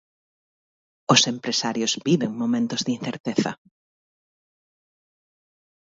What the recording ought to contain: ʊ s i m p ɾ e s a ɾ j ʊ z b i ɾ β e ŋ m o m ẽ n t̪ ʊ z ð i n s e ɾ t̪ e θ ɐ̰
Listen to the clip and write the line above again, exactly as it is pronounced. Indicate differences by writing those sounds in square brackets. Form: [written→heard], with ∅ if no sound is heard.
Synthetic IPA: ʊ s [i→e] m p ɾ e s a ɾ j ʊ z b i [ɾ→∅] β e ŋ m o m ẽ n t̪ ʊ z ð i n [s→θ] e ɾ t̪ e θ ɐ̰